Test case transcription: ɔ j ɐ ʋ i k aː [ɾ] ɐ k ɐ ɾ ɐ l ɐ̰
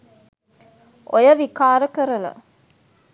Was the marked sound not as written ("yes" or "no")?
no